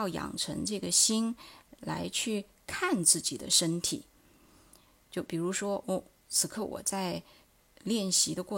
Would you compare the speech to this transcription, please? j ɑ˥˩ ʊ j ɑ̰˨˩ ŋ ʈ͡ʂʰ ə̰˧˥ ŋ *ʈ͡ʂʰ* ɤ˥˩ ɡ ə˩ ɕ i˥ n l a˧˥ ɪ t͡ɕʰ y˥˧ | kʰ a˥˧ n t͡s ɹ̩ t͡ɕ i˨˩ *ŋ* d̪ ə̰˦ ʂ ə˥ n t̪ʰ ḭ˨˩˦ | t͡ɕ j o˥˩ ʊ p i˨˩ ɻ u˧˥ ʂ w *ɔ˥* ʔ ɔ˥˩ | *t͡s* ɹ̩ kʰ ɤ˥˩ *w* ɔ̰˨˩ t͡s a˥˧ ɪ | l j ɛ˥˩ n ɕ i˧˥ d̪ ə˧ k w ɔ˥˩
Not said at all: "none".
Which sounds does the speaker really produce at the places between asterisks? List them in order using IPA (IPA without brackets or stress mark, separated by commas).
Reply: ʈ͡ʂ, none, ɔ˥, t͡sʰ, w